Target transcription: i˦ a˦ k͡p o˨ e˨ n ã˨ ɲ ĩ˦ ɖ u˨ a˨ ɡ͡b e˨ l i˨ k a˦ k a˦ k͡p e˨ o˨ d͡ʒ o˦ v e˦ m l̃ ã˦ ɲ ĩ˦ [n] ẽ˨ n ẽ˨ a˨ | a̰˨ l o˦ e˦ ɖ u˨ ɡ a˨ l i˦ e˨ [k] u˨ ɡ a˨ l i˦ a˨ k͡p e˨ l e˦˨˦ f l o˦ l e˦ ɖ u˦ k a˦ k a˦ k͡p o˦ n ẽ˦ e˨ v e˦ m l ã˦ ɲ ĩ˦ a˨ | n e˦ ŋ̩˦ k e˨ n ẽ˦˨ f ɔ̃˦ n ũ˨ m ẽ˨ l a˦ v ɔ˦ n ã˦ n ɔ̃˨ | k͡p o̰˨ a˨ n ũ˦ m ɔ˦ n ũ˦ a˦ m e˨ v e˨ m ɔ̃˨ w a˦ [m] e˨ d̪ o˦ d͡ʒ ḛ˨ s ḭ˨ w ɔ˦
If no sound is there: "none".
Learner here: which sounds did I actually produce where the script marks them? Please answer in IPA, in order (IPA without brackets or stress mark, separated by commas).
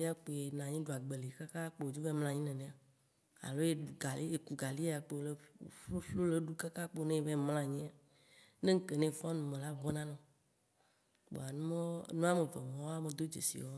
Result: n, k, m